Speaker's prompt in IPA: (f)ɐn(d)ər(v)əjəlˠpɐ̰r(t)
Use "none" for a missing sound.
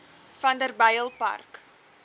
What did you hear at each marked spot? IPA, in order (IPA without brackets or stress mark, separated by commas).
f, d, b, k